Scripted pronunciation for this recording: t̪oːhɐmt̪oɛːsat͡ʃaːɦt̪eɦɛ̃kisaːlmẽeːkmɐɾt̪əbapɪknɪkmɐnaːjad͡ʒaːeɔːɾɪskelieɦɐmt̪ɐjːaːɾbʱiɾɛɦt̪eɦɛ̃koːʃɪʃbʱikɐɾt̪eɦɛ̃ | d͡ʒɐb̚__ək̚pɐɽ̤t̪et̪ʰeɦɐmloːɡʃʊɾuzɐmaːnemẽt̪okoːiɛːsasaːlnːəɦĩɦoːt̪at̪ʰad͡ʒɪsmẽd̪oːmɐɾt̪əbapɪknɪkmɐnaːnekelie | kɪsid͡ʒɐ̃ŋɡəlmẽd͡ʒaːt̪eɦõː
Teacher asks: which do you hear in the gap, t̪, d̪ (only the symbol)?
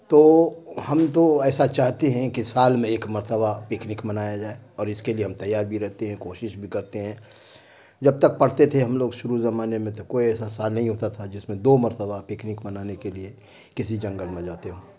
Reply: t̪